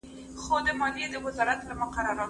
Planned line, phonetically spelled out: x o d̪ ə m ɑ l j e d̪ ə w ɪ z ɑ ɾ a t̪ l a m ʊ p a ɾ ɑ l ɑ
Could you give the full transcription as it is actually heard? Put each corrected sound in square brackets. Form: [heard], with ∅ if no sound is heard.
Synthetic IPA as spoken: x o d̪ ə m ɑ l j e d̪ ə w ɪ z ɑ ɾ a t̪ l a m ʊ [q] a ɾ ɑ [ɾ] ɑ